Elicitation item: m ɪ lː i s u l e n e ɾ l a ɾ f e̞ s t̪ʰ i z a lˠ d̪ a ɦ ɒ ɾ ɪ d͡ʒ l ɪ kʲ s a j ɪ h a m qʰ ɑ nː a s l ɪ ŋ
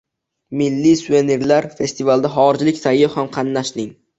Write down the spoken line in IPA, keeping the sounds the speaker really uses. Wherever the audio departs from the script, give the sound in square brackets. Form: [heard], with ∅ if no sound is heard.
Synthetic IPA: m ɪ lː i s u [∅] e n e ɾ l a ɾ f e̞ s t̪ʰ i [v] a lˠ d̪ a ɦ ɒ ɾ ɪ d͡ʒ l ɪ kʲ s a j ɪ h a m qʰ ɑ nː a [ʃ] l ɪ ŋ